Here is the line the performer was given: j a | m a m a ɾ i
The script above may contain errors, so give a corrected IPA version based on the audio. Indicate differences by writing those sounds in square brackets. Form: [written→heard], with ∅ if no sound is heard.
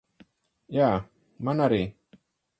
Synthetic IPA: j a | m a [m→n] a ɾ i